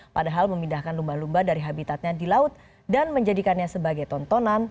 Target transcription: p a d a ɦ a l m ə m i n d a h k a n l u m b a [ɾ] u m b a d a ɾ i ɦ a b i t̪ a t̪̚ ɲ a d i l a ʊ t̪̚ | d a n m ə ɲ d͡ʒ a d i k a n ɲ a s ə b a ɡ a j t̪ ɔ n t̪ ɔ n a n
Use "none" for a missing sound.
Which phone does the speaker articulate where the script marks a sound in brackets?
l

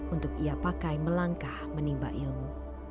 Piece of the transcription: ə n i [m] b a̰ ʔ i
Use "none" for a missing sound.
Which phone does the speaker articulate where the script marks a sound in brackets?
m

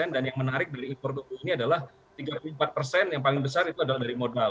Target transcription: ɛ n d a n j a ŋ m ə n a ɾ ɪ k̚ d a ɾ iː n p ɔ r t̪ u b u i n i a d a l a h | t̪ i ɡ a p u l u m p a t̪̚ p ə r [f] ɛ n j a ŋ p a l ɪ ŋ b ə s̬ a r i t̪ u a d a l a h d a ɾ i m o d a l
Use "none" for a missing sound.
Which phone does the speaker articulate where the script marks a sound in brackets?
s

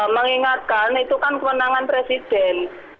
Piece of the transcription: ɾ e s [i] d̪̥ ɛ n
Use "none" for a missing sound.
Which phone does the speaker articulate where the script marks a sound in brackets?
i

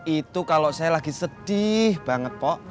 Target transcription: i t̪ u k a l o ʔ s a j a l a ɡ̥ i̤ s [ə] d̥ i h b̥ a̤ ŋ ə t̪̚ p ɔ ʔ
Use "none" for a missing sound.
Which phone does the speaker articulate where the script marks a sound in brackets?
ə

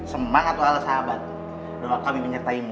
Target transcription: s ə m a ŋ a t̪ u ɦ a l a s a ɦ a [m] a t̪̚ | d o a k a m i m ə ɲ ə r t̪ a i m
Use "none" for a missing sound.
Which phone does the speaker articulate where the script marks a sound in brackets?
b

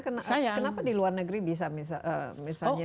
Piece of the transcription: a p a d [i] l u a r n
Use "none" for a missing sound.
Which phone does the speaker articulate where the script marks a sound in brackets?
i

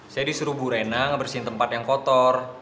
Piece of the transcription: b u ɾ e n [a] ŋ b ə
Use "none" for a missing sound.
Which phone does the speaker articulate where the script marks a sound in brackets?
a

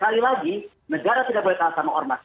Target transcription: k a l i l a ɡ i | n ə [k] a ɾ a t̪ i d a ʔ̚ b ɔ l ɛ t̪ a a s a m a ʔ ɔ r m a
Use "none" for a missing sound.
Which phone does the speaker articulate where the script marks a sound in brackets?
ɡ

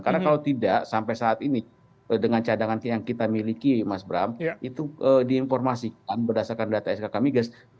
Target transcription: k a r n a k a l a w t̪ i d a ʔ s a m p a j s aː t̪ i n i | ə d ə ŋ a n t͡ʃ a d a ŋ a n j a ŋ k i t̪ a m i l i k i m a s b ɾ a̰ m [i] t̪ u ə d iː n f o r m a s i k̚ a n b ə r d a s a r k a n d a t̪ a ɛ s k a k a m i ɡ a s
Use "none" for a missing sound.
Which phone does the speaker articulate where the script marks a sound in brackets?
i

